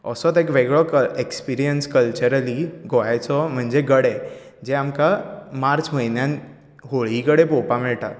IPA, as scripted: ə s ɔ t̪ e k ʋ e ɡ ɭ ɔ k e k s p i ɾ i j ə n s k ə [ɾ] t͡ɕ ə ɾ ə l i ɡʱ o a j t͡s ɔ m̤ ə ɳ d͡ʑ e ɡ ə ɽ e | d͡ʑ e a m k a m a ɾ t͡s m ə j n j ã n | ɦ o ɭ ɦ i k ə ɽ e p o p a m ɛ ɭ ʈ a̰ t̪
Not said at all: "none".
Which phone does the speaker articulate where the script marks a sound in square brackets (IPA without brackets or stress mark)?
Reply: l